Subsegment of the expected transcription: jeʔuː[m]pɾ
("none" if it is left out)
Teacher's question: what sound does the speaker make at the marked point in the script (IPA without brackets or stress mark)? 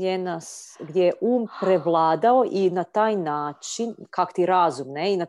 m